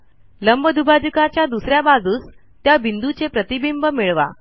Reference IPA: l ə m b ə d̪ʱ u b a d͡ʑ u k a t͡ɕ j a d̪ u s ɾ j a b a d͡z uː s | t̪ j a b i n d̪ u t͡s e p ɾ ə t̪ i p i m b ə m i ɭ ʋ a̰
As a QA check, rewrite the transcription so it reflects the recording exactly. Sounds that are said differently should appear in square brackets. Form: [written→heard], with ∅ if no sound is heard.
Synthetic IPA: l ə m b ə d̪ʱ u b a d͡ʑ u k a t͡ɕ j a d̪ u s ɾ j a b a d͡z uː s | t̪ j a b i n d̪ u t͡s e p ɾ ə t̪ i [p→b] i m b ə m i ɭ ʋ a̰